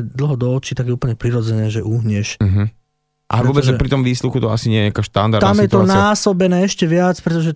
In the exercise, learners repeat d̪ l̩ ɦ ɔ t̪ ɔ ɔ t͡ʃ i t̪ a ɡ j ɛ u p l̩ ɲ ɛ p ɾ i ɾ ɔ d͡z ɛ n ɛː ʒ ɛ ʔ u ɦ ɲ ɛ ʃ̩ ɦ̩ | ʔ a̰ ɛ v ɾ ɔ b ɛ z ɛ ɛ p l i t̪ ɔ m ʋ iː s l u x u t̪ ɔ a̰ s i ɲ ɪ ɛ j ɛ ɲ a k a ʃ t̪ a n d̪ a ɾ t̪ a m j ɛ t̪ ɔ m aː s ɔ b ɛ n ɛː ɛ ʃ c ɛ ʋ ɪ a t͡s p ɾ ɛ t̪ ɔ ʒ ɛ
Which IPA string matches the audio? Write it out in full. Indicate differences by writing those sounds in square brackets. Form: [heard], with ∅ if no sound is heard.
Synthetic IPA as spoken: d̪ l̩ ɦ ɔ [d̪] ɔ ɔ t͡ʃ i t̪ a ɡ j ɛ u p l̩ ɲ ɛ p ɾ i ɾ ɔ d͡z ɛ n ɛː ʒ ɛ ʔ u ɦ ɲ ɛ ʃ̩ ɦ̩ | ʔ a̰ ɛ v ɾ ɔ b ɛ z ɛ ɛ p [ɾ] i t̪ ɔ m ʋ iː s l u x u t̪ ɔ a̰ s i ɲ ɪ ɛ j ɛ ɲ a k a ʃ t̪ a n d̪ a ɾ t̪ a m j ɛ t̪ ɔ [n] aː s ɔ b ɛ n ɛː ɛ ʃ c ɛ ʋ ɪ a t͡s p ɾ ɛ t̪ ɔ ʒ ɛ